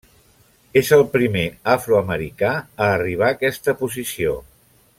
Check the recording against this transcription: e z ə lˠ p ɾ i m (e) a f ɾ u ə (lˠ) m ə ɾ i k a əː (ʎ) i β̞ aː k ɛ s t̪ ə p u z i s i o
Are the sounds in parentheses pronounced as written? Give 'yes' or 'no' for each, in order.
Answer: yes, no, no

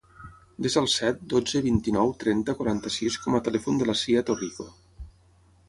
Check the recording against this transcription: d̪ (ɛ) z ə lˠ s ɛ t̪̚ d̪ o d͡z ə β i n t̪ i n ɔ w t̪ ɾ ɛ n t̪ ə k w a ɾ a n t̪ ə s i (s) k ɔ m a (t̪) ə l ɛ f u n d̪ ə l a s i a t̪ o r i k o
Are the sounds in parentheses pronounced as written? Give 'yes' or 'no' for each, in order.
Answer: no, yes, yes

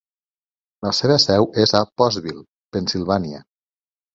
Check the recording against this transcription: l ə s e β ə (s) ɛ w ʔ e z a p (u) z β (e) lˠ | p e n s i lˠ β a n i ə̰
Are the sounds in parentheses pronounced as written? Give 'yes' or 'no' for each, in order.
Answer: yes, no, no

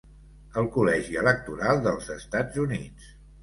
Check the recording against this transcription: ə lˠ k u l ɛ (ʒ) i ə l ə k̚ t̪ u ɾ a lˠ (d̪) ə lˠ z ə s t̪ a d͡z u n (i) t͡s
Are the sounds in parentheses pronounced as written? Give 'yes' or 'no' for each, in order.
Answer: yes, yes, yes

